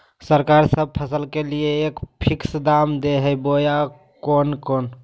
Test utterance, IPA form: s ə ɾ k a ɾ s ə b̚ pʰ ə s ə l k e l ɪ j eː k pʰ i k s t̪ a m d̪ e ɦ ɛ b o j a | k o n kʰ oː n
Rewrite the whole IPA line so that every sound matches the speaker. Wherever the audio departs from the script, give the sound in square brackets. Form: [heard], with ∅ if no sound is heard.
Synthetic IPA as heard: s ə ɾ k a ɾ s ə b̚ pʰ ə s ə l k e l [i] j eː k pʰ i k s [d̪] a m d̪ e ɦ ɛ b o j a | k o n [k] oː n